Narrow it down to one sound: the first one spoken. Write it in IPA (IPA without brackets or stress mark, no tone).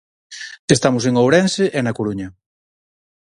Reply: e